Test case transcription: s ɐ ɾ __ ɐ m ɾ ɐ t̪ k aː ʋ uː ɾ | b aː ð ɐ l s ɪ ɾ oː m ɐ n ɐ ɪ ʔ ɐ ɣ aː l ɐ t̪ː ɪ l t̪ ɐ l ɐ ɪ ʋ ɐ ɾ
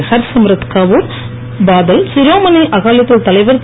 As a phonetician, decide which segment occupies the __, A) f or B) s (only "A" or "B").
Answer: B